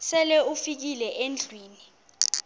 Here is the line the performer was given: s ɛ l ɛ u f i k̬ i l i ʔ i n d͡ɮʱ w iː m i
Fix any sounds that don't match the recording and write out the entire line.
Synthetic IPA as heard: s ɛ l ɛ u f i k̬ i l ɛ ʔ e n d͡ɮʱ w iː n i